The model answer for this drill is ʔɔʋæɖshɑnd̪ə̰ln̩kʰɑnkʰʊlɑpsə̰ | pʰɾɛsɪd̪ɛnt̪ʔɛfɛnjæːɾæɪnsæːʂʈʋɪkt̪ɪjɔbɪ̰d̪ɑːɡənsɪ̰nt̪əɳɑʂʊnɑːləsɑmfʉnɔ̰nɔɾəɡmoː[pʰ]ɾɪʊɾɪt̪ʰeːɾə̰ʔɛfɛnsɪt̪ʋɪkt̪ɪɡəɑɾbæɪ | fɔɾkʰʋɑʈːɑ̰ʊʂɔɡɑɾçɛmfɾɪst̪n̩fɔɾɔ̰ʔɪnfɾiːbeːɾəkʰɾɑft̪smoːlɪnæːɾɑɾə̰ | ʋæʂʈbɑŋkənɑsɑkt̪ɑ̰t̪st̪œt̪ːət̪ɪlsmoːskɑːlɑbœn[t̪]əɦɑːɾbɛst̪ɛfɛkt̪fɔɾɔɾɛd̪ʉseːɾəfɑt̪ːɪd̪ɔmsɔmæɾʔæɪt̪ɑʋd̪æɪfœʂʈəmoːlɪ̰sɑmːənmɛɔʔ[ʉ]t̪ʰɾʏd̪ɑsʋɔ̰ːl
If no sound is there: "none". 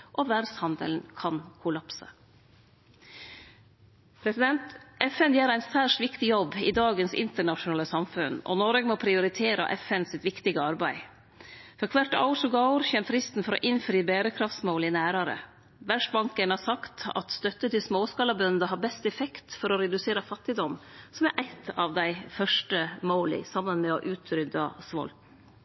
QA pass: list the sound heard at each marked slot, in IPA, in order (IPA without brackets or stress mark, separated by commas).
pʰ, d̪, ʉː